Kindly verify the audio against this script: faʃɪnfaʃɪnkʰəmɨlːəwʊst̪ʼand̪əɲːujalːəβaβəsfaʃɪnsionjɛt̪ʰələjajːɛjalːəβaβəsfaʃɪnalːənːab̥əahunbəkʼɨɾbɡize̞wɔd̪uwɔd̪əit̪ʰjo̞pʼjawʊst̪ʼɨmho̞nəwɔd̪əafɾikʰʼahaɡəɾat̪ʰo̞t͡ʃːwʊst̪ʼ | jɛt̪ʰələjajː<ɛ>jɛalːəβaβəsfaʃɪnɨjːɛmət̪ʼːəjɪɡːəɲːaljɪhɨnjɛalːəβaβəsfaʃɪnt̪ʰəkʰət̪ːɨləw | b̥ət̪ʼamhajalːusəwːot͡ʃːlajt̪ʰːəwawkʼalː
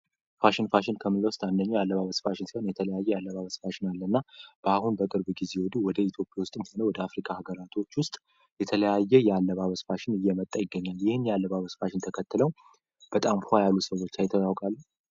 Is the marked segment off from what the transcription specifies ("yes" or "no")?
no